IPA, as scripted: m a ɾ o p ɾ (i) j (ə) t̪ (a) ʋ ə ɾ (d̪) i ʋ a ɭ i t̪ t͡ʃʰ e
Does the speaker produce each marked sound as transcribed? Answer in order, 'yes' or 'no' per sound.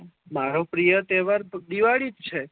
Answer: yes, yes, no, yes

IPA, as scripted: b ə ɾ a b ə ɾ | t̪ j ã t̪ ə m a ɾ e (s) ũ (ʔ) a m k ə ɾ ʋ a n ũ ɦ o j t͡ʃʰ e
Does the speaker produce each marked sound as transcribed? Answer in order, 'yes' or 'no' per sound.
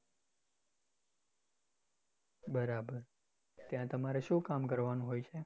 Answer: no, no

